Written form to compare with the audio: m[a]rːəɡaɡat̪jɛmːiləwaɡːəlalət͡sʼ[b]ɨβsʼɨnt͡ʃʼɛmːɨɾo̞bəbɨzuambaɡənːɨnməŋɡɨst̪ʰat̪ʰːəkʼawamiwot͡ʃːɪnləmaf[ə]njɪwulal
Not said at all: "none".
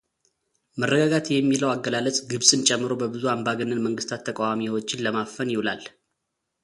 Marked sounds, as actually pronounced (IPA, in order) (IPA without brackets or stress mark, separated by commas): ə, ɡ, ə